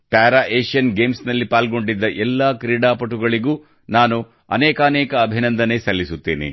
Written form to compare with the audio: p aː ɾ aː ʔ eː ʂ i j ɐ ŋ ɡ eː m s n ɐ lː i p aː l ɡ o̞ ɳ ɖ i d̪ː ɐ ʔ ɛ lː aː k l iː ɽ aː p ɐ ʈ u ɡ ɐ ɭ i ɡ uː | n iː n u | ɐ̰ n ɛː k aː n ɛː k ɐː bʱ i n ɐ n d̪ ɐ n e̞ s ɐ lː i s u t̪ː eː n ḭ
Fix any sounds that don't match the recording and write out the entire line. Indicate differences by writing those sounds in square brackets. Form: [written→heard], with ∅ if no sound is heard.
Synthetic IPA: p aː ɾ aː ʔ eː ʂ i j ɐ [ŋ→n] ɡ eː m s n ɐ lː i p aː l ɡ o̞ ɳ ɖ i d̪ː ɐ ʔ ɛ lː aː k [l→ɾ] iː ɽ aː p ɐ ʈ u ɡ ɐ ɭ i ɡ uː | n [iː→aː] n u | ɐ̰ n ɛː k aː n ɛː k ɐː bʱ i n ɐ n d̪ ɐ n e̞ s ɐ lː i s u t̪ː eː n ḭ